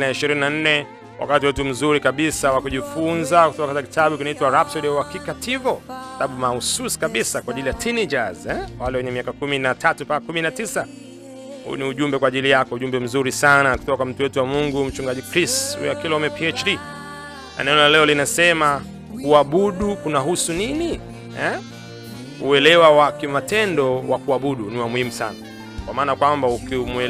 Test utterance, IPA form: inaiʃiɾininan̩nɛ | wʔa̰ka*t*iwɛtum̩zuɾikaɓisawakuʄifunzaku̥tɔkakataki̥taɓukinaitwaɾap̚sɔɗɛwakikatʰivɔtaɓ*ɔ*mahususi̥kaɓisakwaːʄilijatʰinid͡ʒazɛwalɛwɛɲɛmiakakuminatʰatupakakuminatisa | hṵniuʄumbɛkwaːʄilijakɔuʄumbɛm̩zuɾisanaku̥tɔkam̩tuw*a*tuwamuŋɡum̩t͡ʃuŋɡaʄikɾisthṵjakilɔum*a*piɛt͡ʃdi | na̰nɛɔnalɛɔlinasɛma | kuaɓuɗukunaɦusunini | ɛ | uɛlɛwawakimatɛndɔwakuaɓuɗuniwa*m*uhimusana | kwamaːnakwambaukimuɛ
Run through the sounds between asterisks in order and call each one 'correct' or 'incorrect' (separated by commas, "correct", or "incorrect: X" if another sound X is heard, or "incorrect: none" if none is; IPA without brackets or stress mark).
correct, incorrect: u, incorrect: ɛ, incorrect: ɛ, correct